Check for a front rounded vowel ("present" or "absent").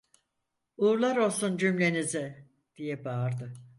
present